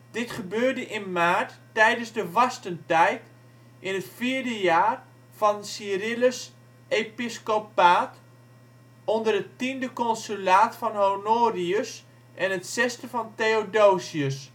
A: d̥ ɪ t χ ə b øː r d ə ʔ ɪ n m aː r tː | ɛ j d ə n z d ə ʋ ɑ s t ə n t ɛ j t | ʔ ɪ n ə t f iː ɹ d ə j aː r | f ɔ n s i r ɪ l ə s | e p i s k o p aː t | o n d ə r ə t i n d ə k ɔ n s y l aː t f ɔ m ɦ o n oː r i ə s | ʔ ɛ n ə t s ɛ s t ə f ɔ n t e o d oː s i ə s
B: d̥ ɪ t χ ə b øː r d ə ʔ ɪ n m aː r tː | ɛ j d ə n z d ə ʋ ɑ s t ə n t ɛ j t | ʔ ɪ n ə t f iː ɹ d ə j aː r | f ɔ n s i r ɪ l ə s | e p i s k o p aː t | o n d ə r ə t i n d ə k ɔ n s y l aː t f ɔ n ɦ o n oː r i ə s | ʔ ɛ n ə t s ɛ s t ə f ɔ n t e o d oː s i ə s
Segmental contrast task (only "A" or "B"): B